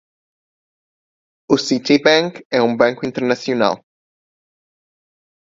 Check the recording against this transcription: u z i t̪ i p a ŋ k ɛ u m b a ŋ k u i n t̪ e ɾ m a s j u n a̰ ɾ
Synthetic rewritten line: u s i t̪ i b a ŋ k ɛ u m b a ŋ k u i n t̪ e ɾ n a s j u n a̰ l